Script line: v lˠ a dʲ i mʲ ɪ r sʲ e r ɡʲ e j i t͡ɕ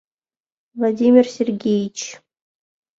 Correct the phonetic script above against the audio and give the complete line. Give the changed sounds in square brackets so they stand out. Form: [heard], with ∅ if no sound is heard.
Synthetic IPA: v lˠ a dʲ i mʲ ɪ r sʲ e r ɡʲ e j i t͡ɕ